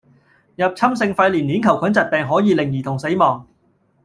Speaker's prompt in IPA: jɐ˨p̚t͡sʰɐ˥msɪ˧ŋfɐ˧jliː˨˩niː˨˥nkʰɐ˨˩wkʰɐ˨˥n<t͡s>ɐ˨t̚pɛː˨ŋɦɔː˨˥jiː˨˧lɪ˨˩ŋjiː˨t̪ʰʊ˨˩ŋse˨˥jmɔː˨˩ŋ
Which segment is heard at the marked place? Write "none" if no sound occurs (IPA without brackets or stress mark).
t͡s